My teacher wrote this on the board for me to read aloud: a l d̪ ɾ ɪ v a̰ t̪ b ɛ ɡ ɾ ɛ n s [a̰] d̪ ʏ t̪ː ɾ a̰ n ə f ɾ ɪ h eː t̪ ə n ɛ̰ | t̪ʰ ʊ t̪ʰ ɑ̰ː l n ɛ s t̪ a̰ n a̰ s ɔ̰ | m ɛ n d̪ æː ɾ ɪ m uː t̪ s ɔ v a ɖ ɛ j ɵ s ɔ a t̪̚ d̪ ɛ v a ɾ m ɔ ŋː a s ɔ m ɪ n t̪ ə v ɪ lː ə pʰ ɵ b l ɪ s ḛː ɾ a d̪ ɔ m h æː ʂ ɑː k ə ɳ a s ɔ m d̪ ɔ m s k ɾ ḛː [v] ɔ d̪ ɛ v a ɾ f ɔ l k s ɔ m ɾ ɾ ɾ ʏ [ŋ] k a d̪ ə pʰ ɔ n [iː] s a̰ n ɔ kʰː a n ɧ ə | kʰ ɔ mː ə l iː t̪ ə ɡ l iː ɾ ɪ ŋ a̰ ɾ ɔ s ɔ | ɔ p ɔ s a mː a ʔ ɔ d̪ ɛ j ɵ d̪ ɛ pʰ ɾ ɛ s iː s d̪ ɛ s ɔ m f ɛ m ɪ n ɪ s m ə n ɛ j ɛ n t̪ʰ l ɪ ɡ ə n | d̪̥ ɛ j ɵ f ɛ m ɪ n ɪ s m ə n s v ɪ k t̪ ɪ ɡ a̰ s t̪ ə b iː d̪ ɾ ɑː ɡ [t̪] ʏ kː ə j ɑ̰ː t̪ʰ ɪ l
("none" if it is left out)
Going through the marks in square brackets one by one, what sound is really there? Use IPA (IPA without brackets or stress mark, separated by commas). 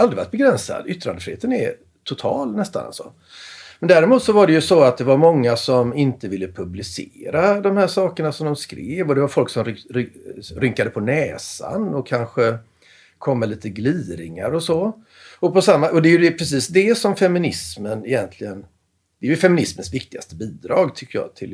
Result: a̰, v, ŋ, ɛː, t̪ʰ